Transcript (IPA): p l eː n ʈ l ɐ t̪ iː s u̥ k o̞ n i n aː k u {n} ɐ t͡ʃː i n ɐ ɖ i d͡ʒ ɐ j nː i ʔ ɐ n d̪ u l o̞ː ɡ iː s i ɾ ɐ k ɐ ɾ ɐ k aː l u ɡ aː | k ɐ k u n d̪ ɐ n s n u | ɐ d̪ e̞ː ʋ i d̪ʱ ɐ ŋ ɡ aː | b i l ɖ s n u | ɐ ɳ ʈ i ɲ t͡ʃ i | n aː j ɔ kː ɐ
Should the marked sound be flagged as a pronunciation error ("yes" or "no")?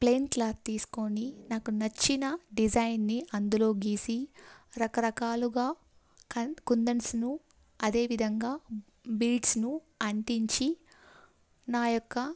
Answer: no